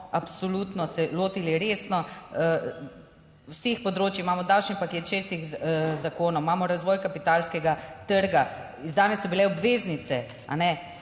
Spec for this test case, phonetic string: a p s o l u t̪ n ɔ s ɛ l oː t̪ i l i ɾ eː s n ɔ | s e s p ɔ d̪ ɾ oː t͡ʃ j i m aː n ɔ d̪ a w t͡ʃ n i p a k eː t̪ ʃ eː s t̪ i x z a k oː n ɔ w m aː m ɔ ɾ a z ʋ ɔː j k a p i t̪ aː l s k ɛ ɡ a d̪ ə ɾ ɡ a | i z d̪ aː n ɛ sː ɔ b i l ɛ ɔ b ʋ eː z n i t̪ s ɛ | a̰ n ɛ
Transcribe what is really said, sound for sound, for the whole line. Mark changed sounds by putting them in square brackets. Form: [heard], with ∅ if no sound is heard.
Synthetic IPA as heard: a p s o l u t̪ n ɔ s ɛ l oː t̪ i l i ɾ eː s n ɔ | s e [x] p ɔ d̪ ɾ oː t͡ʃ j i m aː [m] ɔ d̪ a w t͡ʃ n i p a k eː t̪ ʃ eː s t̪ i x z a k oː n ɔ w m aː m ɔ ɾ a z ʋ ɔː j k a p i t̪ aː l s k ɛ ɡ a [t̪] ə ɾ ɡ a | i z d̪ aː n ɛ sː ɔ b i l ɛ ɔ b ʋ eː z n i t̪ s ɛ | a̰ n ɛ